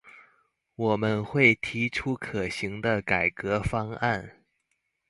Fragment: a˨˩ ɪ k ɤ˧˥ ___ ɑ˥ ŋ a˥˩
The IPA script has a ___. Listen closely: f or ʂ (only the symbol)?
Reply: f